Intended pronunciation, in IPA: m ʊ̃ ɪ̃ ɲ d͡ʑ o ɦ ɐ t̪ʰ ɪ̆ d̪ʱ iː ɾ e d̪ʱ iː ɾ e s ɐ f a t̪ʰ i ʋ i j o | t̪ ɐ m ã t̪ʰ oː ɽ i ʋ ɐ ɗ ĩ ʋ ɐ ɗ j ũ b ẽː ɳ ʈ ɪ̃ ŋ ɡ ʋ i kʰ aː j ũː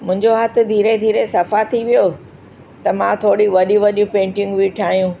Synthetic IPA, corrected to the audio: m ʊ̃ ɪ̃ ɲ d͡ʑ o ɦ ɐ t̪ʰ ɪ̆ d̪ʱ iː ɾ e d̪ʱ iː ɾ e s ɐ f a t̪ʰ i ʋ i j o | t̪ ɐ m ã t̪ʰ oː ɽ i ʋ ɐ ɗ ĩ ʋ ɐ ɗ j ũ p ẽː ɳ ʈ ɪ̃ ŋ ɡ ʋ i ʈʰ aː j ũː